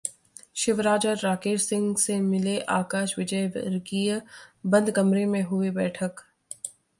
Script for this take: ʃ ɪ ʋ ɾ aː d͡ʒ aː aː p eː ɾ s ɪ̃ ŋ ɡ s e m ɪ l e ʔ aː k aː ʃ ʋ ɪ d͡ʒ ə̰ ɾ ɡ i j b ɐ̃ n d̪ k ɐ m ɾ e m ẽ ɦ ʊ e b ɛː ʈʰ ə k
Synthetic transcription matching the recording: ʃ ɪ ʋ ɾ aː d͡ʒ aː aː k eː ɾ s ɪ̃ ŋ ɡ s e m ɪ l e ʔ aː k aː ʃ ʋ ɪ d͡ʒ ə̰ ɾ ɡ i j b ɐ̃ n d̪ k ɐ m ɾ e m ẽ ɦ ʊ e b ɛː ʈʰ ə k